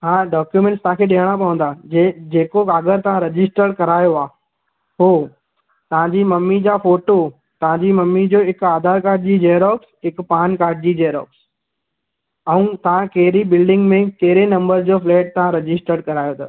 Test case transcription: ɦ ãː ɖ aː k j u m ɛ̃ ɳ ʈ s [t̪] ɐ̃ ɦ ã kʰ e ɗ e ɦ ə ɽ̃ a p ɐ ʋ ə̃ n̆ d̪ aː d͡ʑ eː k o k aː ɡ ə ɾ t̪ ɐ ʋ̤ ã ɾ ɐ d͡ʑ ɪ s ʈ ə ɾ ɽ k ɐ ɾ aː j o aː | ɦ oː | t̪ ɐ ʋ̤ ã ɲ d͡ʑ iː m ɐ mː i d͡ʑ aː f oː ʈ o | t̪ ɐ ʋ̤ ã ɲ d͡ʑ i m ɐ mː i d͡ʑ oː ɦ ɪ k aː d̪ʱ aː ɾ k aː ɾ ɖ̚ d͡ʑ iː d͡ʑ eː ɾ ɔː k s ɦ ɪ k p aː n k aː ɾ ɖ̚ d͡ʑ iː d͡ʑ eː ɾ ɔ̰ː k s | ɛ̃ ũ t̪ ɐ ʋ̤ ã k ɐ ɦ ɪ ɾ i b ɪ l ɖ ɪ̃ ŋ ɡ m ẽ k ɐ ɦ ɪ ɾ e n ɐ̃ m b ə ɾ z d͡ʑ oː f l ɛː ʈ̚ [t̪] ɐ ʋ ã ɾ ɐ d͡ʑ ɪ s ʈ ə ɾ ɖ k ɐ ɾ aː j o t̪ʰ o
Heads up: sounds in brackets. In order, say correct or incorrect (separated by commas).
correct, correct